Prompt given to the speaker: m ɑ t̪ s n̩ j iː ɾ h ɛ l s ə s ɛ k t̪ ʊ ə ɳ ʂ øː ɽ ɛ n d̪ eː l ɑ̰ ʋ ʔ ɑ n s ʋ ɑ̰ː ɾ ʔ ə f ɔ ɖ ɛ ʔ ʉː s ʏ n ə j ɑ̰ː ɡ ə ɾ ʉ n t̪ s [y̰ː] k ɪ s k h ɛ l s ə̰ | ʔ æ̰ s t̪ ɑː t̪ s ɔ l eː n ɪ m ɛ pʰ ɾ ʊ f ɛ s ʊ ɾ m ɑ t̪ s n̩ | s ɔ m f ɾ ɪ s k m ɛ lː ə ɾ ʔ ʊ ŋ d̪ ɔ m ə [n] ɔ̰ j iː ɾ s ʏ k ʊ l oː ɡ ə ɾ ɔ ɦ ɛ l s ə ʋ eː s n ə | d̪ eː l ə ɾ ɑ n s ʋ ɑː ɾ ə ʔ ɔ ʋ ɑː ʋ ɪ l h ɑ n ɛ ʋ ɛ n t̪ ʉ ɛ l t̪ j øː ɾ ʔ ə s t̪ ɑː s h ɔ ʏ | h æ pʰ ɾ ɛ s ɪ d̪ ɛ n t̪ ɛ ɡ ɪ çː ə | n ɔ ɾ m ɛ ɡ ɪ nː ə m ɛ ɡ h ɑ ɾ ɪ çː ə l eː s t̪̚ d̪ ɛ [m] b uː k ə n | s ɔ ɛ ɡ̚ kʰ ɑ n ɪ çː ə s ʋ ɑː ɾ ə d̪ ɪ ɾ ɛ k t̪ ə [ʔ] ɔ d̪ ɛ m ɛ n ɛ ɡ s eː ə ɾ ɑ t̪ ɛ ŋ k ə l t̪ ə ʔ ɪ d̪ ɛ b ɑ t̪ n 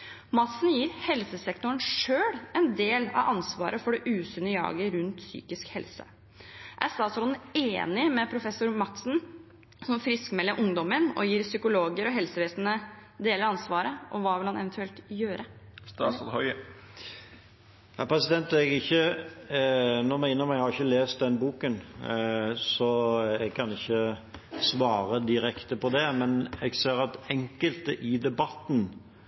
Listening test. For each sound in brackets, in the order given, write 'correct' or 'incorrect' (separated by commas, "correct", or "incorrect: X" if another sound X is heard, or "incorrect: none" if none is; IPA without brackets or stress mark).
correct, correct, incorrect: n, incorrect: p